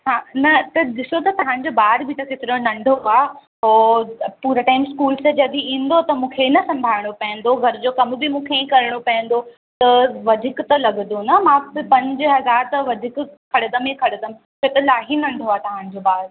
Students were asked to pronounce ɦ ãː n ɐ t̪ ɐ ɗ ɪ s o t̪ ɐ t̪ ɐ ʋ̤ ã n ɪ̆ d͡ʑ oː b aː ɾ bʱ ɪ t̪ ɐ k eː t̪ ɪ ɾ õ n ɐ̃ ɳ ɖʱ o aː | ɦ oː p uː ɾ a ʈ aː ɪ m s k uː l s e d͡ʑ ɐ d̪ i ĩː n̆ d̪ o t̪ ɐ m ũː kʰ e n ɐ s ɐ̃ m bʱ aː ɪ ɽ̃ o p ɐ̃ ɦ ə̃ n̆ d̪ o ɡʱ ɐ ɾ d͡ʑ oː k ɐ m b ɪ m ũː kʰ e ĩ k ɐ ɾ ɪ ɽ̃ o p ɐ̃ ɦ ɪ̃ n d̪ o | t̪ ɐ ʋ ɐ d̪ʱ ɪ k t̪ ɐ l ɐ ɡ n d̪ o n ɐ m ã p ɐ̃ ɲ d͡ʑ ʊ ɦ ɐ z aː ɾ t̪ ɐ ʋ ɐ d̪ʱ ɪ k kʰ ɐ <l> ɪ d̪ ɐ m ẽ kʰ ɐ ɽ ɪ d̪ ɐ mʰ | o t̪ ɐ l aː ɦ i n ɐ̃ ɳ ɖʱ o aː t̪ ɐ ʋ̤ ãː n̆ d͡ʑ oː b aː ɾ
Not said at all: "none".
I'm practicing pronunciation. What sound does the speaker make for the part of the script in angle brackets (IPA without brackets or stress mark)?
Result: ɽ